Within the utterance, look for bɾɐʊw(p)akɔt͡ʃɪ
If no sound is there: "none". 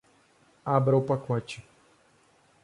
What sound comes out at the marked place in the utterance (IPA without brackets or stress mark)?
p